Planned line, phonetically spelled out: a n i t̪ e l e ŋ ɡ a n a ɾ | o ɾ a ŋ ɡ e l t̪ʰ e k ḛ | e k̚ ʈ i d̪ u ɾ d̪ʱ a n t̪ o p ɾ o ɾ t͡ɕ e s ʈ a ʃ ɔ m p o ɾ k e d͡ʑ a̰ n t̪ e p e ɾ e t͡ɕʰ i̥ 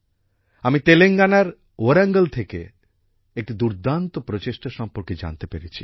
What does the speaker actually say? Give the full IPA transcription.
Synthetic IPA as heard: a m i t̪ e l e ŋ ɡ a n a ɾ | o ɾ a ŋ ɡ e l t̪ʰ e k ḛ | e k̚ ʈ i d̪ u ɾ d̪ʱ a n t̪ o p ɾ o t͡ɕ e ʃ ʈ a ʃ ɔ m p o ɾ k e d͡ʑ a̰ n t̪ e p e ɾ e t͡ɕʰ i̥